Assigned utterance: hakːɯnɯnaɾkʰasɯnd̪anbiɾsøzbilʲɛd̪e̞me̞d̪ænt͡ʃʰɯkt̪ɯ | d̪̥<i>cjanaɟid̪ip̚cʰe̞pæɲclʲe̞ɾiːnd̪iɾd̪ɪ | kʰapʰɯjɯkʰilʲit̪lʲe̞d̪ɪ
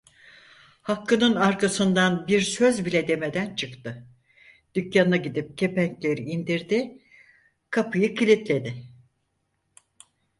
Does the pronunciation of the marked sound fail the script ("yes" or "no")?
yes